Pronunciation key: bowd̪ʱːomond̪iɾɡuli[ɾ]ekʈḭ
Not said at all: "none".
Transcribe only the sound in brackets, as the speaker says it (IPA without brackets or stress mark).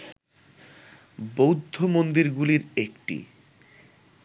ɾ